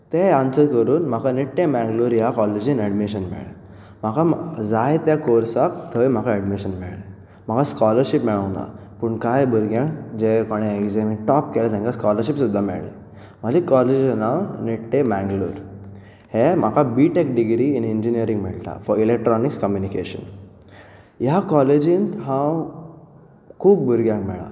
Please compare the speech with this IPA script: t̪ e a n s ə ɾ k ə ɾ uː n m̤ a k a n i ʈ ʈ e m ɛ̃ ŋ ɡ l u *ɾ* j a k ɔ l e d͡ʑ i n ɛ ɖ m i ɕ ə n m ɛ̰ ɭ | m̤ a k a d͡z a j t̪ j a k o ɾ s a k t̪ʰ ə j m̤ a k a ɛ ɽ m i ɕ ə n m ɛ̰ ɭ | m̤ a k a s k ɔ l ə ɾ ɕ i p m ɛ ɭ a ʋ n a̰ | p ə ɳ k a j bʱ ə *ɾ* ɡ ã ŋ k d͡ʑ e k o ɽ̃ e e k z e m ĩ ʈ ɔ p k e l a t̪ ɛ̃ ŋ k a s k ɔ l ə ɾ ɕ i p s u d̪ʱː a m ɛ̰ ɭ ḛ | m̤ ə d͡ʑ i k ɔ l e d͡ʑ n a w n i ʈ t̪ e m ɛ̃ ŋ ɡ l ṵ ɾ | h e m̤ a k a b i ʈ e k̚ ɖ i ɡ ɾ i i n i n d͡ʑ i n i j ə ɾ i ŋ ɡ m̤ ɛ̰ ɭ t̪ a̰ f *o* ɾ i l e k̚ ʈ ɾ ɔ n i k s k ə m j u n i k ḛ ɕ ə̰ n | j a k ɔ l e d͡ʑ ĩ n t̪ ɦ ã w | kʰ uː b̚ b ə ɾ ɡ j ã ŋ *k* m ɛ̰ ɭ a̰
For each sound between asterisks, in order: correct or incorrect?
correct, correct, incorrect: ɔ, correct

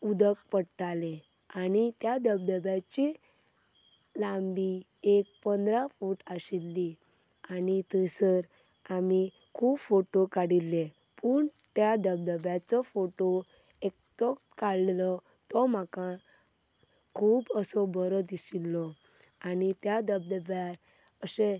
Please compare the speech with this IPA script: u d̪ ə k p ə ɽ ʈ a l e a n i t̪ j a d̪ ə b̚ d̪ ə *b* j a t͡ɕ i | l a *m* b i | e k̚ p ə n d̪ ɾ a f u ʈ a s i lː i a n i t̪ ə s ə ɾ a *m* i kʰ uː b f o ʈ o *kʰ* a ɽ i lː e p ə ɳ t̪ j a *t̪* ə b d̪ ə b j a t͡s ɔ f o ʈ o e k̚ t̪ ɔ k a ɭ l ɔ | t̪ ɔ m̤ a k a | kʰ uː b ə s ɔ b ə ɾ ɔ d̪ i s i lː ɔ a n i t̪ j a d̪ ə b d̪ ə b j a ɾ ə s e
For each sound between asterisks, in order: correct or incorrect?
correct, correct, correct, incorrect: k, incorrect: d̪

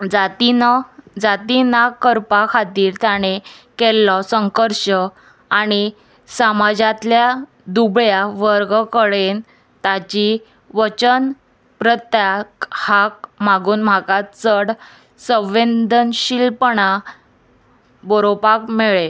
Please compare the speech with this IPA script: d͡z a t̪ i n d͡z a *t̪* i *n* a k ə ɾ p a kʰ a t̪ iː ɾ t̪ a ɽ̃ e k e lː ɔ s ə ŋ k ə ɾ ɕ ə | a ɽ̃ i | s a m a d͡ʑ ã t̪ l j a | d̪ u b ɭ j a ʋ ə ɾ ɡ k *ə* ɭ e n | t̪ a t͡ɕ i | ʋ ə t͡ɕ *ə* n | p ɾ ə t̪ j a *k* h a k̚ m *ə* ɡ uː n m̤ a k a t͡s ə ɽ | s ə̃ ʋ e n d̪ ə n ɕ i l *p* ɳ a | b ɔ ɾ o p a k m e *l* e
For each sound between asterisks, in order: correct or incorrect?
correct, correct, correct, correct, correct, incorrect: a, correct, incorrect: ɭ

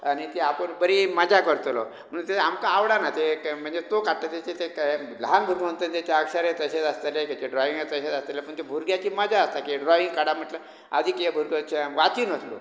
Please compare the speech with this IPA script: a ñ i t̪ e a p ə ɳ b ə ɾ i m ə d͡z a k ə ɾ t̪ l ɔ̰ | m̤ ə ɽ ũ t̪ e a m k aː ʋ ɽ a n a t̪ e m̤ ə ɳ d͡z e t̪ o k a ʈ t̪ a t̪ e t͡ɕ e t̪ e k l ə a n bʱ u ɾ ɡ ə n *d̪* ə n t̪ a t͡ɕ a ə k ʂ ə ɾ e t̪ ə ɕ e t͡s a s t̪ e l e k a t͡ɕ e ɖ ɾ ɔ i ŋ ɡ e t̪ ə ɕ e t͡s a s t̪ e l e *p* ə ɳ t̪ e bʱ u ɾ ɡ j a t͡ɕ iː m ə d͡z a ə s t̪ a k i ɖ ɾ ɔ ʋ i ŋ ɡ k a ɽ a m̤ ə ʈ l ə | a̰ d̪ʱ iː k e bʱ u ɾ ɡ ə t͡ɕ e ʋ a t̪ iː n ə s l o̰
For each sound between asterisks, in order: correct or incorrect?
incorrect: t̪, correct

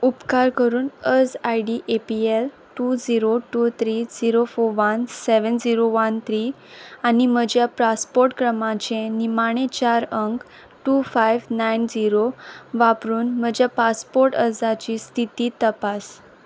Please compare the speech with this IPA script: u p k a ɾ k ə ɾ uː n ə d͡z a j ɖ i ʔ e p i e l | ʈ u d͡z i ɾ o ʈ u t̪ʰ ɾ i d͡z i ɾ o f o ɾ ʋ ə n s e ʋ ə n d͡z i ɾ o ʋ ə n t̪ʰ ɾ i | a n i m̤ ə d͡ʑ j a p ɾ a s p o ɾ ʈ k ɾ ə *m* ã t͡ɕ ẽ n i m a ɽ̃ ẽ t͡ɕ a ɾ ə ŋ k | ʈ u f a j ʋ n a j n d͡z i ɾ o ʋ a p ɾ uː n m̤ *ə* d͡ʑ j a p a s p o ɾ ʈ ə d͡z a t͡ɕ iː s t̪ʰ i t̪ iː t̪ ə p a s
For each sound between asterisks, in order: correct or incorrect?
correct, correct

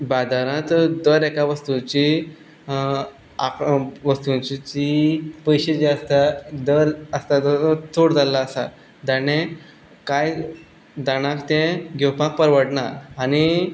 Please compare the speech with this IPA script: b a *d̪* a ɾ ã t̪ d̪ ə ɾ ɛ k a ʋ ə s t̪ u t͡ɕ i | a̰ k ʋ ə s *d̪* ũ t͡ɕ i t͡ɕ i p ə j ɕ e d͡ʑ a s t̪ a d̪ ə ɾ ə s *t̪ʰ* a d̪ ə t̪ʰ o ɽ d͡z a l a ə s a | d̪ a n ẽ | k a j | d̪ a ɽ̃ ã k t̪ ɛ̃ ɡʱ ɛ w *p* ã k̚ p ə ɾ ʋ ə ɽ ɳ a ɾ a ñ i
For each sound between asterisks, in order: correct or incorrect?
correct, incorrect: t̪, incorrect: t̪, correct

